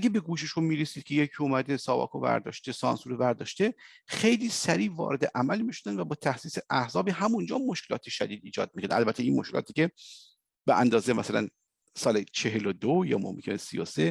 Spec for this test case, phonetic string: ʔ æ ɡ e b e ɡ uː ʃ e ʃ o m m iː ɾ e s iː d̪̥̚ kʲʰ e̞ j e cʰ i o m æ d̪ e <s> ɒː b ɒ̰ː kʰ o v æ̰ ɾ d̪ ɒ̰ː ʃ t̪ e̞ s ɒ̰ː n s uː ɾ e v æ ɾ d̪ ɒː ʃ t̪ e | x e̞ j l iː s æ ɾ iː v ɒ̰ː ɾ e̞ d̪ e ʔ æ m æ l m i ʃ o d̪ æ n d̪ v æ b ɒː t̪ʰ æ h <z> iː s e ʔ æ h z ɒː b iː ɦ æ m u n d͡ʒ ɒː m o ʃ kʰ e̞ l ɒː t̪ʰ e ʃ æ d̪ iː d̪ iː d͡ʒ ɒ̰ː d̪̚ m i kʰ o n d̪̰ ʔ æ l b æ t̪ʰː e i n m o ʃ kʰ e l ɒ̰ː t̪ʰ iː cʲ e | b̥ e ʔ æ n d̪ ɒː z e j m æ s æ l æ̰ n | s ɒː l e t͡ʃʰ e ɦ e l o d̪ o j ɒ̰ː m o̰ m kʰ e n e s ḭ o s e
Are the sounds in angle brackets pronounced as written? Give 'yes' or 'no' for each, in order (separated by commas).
yes, no